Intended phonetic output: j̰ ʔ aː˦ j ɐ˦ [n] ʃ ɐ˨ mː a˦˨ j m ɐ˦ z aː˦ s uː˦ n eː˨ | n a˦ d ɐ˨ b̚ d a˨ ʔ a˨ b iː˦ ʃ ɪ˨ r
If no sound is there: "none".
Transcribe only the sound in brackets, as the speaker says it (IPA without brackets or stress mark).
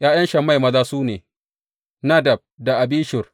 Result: n